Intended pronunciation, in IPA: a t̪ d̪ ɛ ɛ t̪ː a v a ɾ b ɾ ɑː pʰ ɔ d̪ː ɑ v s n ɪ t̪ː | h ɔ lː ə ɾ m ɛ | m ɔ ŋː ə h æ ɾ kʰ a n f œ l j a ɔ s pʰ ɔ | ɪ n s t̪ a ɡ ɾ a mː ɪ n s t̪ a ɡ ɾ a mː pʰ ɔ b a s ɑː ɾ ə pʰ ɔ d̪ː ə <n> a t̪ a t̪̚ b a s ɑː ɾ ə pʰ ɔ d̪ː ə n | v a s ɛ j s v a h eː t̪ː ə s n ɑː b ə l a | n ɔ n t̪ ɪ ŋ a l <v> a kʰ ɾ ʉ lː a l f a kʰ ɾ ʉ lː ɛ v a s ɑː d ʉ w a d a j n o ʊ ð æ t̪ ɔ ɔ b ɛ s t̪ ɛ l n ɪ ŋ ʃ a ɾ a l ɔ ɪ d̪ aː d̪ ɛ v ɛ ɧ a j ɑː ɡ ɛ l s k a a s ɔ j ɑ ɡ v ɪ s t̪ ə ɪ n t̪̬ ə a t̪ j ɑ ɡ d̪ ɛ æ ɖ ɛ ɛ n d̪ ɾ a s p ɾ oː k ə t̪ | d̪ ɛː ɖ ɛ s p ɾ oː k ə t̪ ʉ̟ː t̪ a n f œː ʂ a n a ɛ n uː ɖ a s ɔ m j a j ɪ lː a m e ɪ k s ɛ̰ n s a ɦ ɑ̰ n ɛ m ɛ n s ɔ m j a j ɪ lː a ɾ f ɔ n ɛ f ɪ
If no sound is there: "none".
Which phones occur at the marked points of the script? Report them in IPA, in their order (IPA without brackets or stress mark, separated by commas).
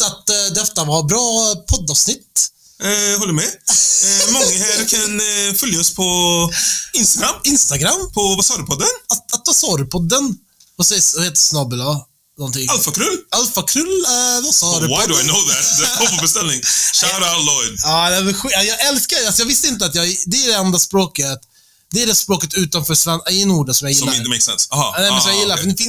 n, f